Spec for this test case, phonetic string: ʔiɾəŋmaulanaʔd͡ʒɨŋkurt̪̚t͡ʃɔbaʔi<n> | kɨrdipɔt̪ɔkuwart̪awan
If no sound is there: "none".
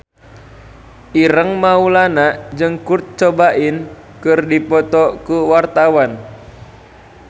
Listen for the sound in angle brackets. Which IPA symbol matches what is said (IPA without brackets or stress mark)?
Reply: n